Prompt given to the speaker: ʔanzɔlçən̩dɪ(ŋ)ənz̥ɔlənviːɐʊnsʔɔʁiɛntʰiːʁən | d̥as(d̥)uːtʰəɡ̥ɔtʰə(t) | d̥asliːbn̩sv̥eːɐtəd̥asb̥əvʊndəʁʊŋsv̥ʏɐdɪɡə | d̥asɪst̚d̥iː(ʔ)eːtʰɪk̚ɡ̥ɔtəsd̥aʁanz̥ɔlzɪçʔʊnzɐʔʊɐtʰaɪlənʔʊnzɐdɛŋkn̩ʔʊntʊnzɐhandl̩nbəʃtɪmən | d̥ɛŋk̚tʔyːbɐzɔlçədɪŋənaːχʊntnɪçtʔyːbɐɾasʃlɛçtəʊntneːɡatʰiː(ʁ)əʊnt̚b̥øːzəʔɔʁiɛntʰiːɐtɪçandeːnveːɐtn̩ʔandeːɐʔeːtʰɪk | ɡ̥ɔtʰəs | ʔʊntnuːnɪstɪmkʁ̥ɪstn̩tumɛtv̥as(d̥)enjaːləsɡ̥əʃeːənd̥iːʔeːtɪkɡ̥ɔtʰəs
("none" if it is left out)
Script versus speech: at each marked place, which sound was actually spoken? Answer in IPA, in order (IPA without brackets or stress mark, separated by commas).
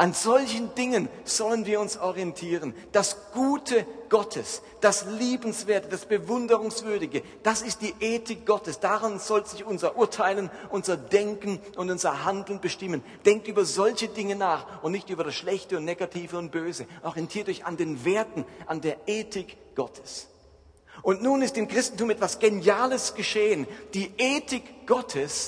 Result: ŋ, ɡ̥, s, ʔ, v, ɡ̥